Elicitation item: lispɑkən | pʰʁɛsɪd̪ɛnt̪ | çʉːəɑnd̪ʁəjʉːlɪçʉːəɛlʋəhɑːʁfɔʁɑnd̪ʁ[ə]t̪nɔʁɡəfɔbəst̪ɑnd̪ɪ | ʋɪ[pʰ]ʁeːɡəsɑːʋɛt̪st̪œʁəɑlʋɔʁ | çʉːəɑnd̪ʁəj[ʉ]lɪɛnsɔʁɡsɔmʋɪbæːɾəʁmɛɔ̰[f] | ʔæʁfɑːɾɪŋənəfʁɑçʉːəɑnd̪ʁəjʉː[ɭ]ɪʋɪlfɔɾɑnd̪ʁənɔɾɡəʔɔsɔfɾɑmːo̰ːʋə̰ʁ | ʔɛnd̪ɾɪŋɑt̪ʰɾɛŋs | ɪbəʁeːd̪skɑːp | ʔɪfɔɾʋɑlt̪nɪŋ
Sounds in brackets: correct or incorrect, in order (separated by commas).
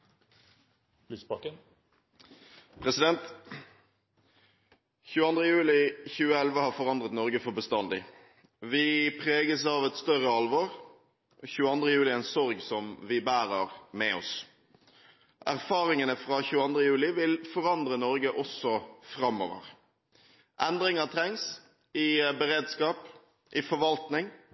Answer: correct, correct, incorrect, incorrect, incorrect